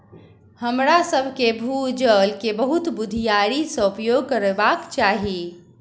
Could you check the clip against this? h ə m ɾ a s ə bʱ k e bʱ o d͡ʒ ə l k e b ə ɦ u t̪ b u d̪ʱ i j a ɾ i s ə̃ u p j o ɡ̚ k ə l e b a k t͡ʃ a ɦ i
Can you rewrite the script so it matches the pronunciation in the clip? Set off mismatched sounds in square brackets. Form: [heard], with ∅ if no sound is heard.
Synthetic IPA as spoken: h ə m ɾ a s ə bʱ k e bʱ [u] d͡ʒ ə l k e b ə ɦ u t̪ b u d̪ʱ i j a ɾ i s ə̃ u p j o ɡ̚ k ə [ɾ] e b a k t͡ʃ a ɦ i